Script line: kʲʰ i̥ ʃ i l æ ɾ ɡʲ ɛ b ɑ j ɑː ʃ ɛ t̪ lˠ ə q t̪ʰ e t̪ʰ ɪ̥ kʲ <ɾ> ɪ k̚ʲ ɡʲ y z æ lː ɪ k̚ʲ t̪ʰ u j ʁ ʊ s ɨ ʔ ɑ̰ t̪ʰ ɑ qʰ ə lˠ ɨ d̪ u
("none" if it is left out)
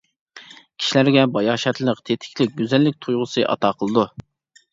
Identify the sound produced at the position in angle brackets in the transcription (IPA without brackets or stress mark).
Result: l